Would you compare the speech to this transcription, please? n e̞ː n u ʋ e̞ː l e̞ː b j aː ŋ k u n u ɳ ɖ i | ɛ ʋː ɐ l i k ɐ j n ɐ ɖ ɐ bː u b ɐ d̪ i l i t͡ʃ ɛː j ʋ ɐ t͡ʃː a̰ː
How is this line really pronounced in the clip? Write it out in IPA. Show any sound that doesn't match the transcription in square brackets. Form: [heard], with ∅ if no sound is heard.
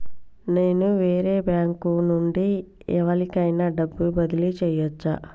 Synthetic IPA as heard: n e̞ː n u ʋ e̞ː [ɾ] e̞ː b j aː ŋ k u n u ɳ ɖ i | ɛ [ʋ] ɐ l i k ɐ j n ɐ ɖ ɐ bː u b ɐ d̪ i l i t͡ʃ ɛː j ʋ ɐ t͡ʃː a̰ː